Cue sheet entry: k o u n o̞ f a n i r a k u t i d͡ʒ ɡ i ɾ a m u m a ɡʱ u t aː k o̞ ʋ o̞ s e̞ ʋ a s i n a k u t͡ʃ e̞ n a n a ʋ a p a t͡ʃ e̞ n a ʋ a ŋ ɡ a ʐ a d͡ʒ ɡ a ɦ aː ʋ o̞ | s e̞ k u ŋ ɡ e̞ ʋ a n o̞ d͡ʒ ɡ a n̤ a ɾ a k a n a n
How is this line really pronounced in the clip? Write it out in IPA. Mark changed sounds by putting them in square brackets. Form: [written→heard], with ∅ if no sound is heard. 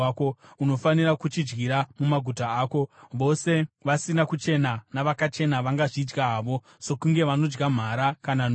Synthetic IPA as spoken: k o u n o̞ f a n i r a k u [t→t͡ʃ] i d͡ʒ ɡ i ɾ a m u m a ɡʱ u t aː k o̞ ʋ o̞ s e̞ ʋ a s i n a k u t͡ʃ e̞ n a n a ʋ a [p→k] a t͡ʃ e̞ n a ʋ a ŋ ɡ a ʐ [a→i] d͡ʒ ɡ a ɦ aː ʋ o̞ | s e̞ k u ŋ ɡ e̞ ʋ a n o̞ d͡ʒ ɡ a [n̤→m̤] a ɾ a k a n a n